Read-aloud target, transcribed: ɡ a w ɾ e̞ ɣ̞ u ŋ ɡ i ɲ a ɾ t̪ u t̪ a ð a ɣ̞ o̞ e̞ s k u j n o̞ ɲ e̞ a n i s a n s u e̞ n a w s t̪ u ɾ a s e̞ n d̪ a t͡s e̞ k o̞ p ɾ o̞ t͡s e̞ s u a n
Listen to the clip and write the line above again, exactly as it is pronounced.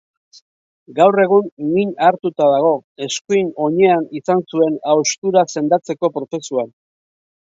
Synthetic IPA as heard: ɡ a w r e̞ ɣ̞ u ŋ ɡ i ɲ a ɾ t̪ u t̪ a ð a ɣ̞ o̞ e̞ s k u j n o̞ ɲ e̞ a n i s a n s u e̞ n a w s t̪ u ɾ a s e̞ n d̪ a t͡s e̞ k o̞ p ɾ o̞ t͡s e̞ s u a n